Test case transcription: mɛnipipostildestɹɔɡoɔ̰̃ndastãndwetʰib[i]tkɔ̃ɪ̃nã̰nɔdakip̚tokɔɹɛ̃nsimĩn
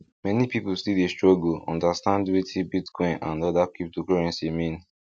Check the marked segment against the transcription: correct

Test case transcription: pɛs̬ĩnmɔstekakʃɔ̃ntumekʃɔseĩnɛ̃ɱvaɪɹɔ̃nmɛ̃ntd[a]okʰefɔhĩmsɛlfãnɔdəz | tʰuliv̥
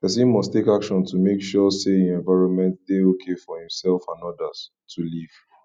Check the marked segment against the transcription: incorrect: e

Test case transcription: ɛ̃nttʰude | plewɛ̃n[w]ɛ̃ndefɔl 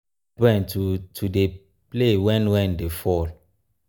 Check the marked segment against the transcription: correct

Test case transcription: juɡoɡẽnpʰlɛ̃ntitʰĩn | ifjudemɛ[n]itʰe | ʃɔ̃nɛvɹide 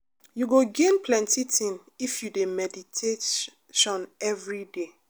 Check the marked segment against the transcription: incorrect: d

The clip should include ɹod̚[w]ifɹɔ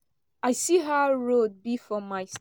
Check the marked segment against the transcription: incorrect: b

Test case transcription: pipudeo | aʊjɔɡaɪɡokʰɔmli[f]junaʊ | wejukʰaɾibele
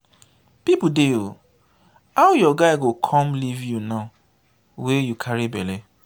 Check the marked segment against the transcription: incorrect: v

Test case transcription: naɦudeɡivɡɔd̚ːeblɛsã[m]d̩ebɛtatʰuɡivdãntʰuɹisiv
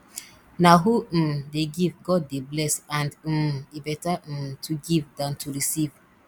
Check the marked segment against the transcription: incorrect: n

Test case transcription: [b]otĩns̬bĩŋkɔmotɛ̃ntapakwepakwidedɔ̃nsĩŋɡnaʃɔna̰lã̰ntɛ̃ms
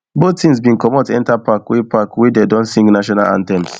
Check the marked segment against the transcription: correct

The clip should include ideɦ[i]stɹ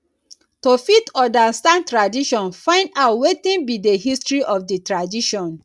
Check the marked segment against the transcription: correct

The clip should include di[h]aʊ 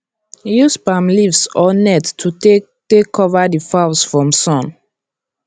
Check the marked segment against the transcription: incorrect: f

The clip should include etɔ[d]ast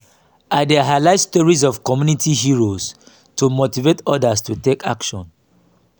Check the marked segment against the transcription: correct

